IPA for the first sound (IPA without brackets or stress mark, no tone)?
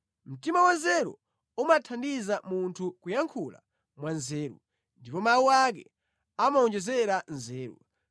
m̩